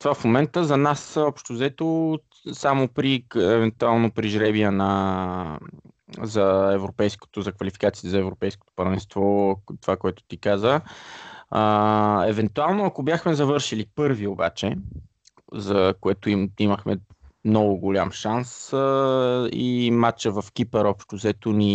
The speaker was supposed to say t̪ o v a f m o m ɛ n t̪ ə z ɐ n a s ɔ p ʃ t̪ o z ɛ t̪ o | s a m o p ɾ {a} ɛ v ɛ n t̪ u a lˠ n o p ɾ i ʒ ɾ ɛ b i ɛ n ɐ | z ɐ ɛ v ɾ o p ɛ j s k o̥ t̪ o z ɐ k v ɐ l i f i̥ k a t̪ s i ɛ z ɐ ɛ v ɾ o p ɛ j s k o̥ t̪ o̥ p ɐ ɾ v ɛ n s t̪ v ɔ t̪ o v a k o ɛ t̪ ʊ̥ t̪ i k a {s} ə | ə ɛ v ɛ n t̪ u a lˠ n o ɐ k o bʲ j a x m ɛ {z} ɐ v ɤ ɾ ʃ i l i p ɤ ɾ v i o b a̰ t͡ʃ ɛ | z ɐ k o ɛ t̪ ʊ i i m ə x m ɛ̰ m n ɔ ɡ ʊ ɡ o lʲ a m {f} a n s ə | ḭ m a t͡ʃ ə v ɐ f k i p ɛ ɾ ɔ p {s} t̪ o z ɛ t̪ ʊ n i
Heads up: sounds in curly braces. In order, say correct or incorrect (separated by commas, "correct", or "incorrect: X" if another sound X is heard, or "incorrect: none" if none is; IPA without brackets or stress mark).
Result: incorrect: i, incorrect: z, correct, incorrect: ʃ, incorrect: ʃ